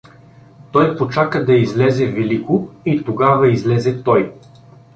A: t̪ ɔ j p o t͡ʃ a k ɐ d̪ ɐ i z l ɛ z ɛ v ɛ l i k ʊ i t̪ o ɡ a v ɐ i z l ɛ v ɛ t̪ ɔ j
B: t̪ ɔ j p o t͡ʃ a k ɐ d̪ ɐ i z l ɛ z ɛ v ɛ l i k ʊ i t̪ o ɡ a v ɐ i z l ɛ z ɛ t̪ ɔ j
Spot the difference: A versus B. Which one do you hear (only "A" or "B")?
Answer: B